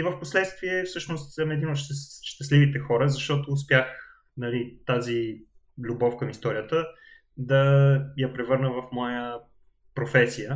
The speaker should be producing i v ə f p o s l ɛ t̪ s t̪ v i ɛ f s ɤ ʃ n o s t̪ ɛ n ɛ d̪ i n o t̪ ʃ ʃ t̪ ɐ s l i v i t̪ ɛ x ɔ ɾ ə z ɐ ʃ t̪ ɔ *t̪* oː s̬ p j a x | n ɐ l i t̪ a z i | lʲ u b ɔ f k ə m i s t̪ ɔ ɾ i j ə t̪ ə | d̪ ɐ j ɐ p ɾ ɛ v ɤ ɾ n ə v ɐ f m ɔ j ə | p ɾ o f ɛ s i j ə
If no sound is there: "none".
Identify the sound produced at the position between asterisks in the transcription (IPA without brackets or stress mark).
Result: t̪